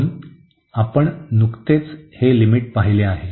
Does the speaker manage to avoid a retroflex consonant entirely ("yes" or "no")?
no